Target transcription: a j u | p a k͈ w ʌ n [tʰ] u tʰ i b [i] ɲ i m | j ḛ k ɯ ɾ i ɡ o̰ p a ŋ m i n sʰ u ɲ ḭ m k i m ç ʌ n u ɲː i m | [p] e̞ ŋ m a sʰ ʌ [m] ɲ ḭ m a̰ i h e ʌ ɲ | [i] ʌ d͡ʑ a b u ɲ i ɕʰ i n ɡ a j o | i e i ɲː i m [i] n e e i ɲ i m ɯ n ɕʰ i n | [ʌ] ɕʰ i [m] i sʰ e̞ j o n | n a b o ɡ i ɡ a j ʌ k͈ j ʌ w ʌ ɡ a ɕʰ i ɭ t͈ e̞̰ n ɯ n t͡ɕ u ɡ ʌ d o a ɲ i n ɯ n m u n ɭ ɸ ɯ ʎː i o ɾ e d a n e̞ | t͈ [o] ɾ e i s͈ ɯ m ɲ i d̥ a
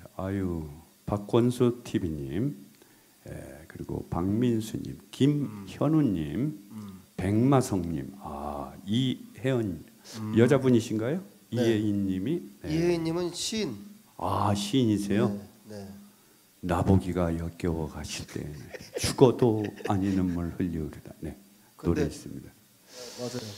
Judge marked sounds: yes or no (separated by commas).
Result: no, yes, yes, no, no, yes, no, no, yes